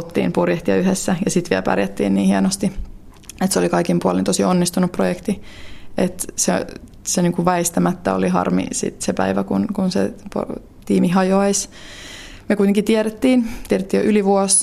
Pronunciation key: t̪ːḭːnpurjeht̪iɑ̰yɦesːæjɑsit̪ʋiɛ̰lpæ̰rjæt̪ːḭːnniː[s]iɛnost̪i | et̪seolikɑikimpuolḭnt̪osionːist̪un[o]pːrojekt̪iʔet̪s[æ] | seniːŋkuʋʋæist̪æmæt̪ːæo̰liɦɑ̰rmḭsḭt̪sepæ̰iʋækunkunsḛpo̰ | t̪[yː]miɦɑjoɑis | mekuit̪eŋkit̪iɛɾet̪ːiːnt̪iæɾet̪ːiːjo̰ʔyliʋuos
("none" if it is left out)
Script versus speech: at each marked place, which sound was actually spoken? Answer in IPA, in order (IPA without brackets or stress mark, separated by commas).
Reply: h, u, e, iː